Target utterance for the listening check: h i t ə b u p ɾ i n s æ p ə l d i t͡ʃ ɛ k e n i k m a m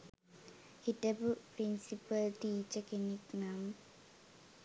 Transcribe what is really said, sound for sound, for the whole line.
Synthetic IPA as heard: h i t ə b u p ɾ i n s i p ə l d i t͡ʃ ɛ k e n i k n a m